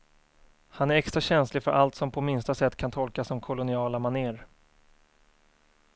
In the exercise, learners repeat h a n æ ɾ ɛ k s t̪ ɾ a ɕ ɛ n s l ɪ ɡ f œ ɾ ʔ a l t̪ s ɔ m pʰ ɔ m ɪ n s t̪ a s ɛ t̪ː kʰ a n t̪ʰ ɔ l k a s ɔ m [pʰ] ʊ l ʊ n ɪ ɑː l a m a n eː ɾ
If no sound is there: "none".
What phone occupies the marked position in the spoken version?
kʰ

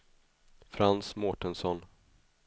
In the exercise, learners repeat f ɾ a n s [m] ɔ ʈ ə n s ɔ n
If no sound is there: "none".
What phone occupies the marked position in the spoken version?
m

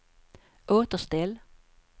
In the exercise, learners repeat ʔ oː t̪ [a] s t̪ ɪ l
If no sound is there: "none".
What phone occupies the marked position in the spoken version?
ə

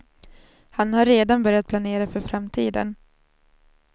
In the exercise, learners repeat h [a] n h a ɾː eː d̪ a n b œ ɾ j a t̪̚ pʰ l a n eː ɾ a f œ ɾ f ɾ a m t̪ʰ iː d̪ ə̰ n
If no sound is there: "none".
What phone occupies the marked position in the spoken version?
a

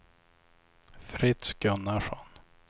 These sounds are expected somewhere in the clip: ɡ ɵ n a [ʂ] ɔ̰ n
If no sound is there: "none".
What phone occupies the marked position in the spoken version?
ʂ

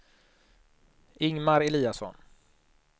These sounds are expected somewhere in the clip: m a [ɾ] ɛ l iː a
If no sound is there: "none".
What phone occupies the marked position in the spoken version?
ɾ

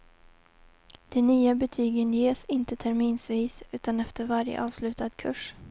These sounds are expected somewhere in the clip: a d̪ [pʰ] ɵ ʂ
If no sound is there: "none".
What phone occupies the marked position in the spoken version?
kʰ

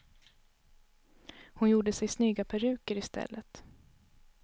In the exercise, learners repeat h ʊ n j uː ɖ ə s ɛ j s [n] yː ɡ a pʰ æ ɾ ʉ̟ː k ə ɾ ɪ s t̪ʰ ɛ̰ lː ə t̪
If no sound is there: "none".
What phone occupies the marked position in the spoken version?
n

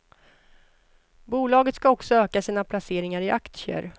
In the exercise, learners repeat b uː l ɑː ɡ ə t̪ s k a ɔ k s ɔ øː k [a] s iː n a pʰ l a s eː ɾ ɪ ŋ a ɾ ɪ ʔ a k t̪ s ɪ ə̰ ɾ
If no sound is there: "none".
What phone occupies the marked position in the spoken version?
a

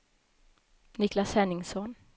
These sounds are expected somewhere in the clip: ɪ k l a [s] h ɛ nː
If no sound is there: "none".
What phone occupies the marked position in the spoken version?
s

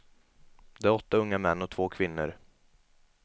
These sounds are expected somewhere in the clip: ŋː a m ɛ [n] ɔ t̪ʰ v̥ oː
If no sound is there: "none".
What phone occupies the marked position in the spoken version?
nː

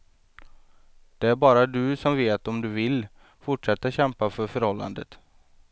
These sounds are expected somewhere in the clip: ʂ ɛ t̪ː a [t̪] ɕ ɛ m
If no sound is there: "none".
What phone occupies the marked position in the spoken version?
none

